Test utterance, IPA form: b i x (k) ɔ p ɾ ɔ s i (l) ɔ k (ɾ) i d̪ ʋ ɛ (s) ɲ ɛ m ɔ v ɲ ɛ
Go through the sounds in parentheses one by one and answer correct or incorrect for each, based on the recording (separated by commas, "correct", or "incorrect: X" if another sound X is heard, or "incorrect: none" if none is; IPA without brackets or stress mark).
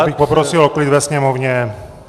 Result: incorrect: p, correct, incorrect: l, correct